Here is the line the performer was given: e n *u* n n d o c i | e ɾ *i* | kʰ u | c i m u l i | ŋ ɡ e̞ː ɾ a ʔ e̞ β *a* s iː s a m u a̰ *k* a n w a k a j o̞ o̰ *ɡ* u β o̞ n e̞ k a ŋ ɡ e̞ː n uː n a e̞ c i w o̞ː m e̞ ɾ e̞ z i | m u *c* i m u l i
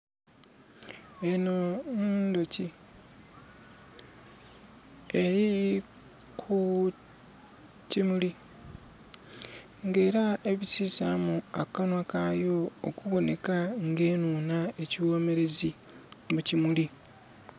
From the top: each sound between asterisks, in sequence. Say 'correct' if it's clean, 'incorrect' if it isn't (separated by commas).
incorrect, correct, incorrect, correct, incorrect, correct